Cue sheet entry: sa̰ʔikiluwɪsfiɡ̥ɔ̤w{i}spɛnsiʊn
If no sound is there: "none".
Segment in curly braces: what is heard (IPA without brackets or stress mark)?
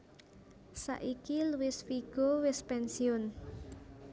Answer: ɪ